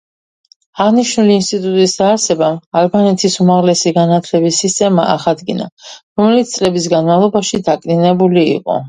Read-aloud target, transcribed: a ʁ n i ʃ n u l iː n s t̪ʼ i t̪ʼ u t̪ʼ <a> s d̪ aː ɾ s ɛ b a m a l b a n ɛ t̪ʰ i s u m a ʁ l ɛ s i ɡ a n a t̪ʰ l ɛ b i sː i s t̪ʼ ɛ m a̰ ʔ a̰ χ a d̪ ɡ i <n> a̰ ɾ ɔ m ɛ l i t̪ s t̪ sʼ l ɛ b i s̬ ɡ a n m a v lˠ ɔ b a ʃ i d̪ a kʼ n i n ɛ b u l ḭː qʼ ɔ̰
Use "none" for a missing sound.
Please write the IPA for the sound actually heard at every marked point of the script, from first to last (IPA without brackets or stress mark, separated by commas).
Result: i, n